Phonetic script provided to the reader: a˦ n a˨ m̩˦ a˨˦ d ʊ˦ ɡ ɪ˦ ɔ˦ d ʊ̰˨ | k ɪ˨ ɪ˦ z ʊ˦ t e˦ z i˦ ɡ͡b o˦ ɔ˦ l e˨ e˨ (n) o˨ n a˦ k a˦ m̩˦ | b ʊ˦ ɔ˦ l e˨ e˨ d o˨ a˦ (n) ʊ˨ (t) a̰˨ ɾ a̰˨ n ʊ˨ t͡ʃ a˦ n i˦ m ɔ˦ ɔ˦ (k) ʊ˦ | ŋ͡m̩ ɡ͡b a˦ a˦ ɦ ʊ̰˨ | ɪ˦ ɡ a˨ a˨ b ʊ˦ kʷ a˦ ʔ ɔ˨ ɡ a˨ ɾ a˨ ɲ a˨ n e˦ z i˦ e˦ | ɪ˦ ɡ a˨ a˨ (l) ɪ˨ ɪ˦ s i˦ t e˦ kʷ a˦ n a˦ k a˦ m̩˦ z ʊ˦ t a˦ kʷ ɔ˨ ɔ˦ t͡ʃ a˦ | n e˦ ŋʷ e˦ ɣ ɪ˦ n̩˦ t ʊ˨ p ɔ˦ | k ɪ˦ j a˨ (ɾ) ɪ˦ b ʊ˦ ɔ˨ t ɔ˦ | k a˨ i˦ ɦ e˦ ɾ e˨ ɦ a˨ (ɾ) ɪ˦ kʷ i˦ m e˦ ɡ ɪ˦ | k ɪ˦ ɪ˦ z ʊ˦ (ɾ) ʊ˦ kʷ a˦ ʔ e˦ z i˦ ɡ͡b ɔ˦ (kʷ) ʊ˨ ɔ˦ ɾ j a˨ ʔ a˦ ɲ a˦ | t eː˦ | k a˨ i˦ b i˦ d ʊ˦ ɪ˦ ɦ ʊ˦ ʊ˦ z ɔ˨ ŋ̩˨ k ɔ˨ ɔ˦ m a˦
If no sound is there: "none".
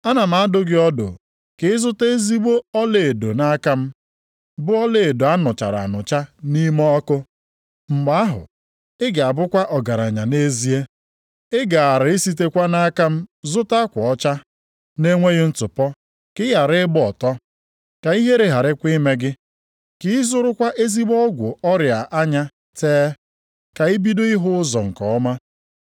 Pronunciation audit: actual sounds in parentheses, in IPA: d, n, t͡ʃ, k, ɾ, ɾ, ɾ, ɾ, ɡʷ

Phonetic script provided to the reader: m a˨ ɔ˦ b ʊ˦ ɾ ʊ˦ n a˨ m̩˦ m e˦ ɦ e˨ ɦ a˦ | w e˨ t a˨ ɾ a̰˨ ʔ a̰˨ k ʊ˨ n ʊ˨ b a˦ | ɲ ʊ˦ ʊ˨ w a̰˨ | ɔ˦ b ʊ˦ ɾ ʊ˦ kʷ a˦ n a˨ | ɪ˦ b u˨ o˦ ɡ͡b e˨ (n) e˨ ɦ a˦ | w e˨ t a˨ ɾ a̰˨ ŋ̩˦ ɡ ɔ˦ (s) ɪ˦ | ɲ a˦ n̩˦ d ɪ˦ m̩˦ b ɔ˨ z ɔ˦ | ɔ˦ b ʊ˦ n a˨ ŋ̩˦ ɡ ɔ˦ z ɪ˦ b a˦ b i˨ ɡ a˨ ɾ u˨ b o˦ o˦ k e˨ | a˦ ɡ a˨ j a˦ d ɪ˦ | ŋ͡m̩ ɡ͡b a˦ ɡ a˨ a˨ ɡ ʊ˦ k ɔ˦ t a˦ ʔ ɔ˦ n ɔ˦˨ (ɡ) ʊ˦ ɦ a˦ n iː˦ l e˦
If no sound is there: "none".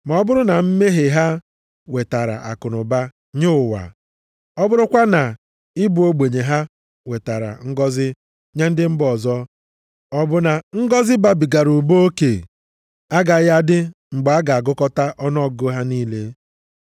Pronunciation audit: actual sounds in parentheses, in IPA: ɲ, z, ɡ

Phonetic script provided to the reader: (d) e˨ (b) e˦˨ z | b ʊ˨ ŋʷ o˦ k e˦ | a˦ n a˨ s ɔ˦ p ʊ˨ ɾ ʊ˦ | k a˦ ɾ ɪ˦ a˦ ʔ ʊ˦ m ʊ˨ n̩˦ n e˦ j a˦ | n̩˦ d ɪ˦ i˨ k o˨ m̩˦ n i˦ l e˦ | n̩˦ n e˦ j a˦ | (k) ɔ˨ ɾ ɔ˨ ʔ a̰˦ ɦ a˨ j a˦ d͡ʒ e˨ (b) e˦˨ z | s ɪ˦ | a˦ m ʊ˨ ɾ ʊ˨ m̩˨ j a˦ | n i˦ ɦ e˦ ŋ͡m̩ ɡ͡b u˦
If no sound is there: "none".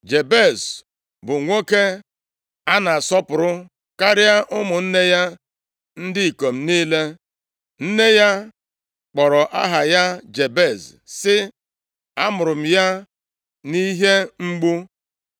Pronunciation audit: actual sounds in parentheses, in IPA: d͡ʒ, b, k͡p, b

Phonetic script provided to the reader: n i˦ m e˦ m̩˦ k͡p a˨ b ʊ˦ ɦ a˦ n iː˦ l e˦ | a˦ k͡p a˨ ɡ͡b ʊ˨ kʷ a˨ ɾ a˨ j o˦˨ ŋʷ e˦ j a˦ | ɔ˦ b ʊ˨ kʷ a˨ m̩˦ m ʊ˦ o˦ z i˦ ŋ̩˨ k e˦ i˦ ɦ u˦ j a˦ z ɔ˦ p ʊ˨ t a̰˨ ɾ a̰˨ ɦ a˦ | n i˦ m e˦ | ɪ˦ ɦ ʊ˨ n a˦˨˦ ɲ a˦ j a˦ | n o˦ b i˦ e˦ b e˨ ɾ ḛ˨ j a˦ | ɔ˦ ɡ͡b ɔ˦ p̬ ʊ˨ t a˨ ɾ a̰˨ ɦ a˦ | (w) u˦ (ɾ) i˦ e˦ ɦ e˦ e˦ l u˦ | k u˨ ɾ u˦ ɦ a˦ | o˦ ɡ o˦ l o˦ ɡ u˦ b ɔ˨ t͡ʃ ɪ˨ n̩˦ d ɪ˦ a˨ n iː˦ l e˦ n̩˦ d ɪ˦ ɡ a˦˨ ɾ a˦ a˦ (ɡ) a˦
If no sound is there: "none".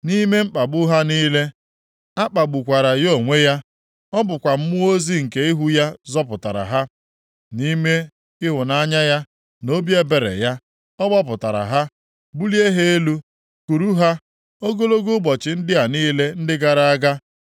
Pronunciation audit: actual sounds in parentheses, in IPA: b, l, ɡ

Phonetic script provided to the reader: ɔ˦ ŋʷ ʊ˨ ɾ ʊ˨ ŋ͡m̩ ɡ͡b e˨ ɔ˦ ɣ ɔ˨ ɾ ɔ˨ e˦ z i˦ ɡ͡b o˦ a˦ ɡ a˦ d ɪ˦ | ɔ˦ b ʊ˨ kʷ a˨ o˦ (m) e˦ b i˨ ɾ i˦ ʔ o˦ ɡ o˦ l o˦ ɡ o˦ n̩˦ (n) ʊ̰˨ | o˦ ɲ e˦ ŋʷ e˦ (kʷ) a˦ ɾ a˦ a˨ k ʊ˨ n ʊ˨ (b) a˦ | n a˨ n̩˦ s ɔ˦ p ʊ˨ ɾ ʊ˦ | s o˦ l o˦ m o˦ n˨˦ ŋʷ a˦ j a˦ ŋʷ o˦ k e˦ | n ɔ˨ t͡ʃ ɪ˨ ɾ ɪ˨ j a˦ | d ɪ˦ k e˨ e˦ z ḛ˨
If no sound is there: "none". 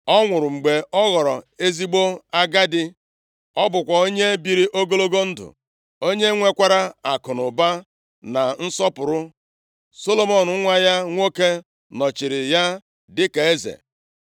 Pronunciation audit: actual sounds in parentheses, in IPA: ɲ, d, kʷ, b

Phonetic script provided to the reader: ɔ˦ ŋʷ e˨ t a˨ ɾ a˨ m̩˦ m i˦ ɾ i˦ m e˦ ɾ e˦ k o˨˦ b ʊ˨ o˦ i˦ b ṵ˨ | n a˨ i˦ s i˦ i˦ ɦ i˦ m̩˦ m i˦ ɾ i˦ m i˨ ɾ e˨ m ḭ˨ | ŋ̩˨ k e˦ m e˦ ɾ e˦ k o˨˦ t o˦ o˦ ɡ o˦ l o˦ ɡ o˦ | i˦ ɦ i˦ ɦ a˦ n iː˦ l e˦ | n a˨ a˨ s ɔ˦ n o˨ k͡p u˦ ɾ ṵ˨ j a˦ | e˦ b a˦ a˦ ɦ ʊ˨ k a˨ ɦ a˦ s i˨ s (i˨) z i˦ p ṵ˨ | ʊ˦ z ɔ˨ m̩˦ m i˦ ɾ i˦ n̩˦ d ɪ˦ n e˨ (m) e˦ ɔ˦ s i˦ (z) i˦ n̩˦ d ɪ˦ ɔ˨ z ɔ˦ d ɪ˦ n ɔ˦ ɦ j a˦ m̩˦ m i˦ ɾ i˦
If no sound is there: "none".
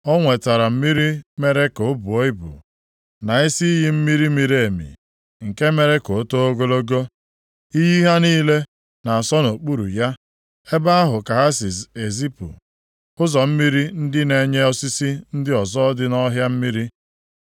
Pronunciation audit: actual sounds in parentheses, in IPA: e˨, ɲ, s

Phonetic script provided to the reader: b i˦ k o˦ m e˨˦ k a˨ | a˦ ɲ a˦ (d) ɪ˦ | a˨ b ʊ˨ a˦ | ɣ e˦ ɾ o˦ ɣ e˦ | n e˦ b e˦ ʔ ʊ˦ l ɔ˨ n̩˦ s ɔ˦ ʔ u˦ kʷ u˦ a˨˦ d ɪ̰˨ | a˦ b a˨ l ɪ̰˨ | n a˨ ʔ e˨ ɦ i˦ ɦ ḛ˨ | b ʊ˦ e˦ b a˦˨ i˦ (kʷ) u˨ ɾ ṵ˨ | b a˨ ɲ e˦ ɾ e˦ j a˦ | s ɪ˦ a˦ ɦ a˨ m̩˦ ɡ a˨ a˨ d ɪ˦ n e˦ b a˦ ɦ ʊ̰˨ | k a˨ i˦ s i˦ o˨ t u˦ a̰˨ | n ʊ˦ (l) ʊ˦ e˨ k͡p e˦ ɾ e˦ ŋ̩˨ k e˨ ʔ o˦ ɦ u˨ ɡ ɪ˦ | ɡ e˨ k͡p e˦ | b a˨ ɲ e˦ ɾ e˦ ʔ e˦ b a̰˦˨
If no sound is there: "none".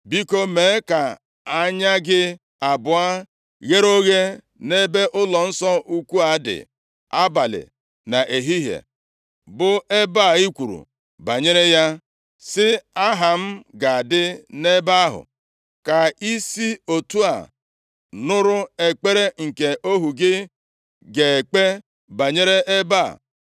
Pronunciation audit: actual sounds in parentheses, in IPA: ɡ, kʷ, ɾ

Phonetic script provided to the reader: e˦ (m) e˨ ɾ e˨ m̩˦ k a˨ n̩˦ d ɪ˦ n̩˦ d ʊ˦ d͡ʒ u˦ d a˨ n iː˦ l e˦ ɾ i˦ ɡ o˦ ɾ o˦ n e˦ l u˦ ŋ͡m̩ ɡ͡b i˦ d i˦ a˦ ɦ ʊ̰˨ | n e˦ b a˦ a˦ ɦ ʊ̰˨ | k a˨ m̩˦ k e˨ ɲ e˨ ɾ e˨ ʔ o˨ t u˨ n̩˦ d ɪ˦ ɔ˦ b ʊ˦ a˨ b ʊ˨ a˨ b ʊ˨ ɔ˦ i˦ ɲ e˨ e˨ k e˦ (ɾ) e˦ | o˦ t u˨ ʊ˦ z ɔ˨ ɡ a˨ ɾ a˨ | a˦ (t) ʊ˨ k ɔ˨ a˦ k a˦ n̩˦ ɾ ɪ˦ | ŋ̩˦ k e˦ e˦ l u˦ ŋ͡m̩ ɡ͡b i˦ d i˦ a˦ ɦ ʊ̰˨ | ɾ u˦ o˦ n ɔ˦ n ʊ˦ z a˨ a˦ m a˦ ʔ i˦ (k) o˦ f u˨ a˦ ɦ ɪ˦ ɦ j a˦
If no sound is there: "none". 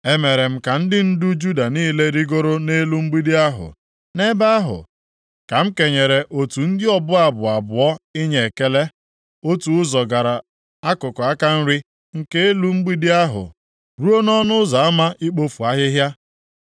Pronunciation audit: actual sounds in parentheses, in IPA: m, l, k, k͡p

